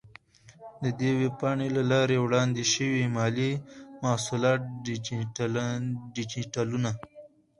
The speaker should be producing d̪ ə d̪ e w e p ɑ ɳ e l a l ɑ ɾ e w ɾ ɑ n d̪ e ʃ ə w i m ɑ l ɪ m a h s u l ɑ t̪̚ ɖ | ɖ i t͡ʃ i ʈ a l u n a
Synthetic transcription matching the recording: d̪ ə d̪ e w e p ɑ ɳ e l a l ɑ ɾ e w ɽ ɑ n d̪ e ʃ ə w i m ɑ l i m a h s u l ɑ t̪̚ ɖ | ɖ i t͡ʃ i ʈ a l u n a